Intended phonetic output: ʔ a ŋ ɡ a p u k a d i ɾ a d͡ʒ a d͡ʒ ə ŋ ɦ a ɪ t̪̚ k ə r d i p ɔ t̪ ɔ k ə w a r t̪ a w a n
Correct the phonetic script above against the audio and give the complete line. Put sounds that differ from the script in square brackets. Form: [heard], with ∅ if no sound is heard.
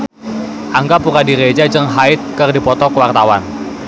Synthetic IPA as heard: ʔ a ŋ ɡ a p u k a d i ɾ [e] d͡ʒ a d͡ʒ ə ŋ ɦ a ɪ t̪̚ k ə r d i p ɔ t̪ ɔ k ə w a r t̪ a w a n